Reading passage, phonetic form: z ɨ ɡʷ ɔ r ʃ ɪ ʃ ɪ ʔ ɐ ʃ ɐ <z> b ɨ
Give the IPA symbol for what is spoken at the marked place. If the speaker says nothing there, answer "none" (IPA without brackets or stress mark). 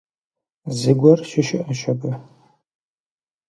none